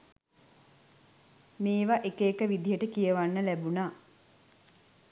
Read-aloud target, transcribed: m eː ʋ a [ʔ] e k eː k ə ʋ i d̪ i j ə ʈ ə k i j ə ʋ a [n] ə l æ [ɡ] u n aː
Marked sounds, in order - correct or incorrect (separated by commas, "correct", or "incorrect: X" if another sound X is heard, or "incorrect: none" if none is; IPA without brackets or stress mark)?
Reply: correct, incorrect: nː, incorrect: b